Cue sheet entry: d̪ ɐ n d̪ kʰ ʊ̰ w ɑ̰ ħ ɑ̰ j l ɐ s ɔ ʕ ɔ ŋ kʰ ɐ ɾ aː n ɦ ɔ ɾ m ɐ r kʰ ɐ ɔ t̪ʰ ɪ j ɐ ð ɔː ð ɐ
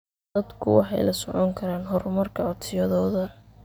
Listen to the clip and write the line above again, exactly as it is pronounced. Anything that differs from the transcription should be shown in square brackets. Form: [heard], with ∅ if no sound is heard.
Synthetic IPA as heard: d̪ ɐ [∅] d̪ kʰ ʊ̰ w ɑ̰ ħ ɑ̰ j l ɐ s ɔ ʕ ɔ ŋ kʰ ɐ ɾ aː n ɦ ɔ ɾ m ɐ r kʰ ɐ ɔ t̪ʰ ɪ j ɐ ð ɔː ð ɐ